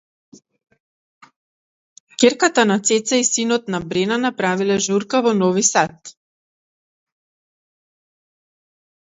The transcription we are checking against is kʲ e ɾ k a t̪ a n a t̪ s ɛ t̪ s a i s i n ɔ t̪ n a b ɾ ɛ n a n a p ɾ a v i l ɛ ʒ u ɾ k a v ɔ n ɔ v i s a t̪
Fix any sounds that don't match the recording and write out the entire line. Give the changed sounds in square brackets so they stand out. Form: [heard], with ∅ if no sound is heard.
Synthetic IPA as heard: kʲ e ɾ k a t̪ a n a t̪ s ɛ t̪ s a i s i n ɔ t̪ n a b ɾ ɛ n a n a p ɾ a v i l ɛ ʒ u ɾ k a v ɔ n ɔ v i s a t̪